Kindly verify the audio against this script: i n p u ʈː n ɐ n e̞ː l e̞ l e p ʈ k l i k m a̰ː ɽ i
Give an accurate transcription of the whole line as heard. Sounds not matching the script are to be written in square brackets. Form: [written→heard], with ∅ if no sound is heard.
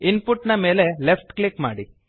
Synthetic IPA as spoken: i n p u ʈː n ɐ [n→m] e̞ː l e̞ l e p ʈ k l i k m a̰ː ɽ i